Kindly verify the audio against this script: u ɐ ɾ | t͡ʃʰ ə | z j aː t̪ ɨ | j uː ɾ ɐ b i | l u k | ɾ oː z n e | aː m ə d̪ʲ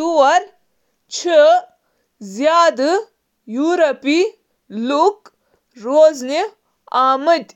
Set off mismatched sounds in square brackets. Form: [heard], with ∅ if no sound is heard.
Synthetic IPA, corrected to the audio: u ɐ ɾ | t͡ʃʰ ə | z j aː [d̪] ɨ | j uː ɾ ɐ [p] i | l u k | ɾ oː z n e | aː m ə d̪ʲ